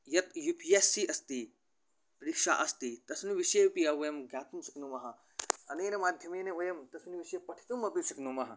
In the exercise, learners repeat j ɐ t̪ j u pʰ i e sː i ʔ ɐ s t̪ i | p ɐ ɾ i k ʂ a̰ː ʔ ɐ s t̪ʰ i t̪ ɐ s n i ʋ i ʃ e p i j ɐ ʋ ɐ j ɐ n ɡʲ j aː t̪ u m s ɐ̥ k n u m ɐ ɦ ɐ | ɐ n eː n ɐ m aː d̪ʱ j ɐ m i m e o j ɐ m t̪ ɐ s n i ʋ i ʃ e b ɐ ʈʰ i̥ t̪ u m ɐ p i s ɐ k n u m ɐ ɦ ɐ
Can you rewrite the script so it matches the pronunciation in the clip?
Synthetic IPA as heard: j ɐ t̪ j u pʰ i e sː i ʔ ɐ s t̪ i | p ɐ ɾ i k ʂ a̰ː ʔ ɐ s t̪ i t̪ ɐ s n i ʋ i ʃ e p i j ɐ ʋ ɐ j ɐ m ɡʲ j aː t̪ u m s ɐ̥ k n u m ɐ ɦ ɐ | ɐ n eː n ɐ m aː d̪ʱ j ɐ m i n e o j ɐ m t̪ ɐ s n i ʋ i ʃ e p ɐ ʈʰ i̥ t̪ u m ɐ p i s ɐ k n u m ɐ ɦ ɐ